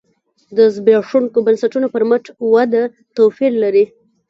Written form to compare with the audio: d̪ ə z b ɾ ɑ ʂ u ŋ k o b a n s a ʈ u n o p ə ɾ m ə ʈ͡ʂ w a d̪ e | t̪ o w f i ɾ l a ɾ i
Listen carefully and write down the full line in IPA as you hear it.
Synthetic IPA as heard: d̪ ə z b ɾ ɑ ʂ u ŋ k o b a n s a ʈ u n o p ə ɾ m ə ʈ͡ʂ w a d̪ a | t̪ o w f i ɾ l a ɾ i